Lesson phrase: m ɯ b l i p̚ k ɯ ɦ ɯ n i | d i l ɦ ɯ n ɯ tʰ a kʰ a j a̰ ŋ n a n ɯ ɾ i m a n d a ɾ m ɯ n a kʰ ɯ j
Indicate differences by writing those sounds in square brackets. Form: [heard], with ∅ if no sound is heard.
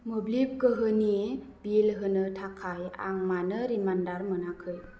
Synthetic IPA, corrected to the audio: m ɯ b l i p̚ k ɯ ɦ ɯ n i | [b] i l ɦ ɯ n ɯ tʰ a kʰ a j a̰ ŋ [m] a n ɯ ɾ i m a n d a ɾ m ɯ n a kʰ ɯ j

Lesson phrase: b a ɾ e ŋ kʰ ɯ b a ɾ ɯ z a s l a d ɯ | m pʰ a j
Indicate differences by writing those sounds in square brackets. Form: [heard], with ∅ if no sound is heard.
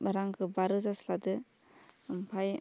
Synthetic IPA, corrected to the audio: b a ɾ [a] ŋ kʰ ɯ b a ɾ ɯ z a s l a d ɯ | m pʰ a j

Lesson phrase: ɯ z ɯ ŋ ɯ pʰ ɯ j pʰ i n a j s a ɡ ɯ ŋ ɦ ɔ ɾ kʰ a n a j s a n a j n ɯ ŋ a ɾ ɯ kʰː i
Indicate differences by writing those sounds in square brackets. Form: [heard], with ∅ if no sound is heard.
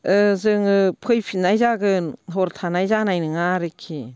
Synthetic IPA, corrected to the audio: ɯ z ɯ ŋ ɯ pʰ ɯ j pʰ i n a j [z] a ɡ ɯ [n] ɦ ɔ ɾ [tʰ] a n a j [z] a n a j n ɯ ŋ a ɾ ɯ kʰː i

